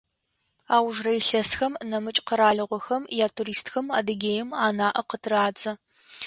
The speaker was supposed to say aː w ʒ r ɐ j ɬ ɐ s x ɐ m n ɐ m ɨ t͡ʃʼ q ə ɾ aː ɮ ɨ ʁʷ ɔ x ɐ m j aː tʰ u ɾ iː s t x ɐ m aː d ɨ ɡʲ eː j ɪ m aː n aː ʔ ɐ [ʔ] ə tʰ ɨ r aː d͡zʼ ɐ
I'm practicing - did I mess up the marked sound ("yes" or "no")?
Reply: yes